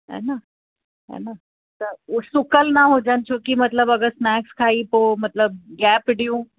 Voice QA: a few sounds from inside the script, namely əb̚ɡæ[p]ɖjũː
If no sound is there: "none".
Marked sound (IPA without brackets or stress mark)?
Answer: p